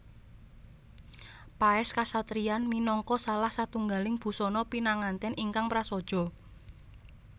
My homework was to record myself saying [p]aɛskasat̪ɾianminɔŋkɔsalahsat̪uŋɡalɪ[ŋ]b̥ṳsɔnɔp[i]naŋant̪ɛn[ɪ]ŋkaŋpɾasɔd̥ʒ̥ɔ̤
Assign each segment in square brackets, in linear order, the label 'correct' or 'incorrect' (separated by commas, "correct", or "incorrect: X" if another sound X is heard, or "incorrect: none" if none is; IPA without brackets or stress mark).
correct, correct, correct, incorrect: i